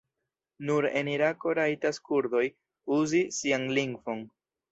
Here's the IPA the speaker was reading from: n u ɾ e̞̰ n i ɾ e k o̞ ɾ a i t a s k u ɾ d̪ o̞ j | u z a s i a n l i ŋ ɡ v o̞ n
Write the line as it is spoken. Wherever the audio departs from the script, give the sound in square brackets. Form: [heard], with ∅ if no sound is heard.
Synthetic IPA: n u ɾ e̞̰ n i ɾ [a] k o̞ ɾ a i t a s k u ɾ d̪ o̞ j | u z [i] s i a n l i ŋ ɡ v o̞ n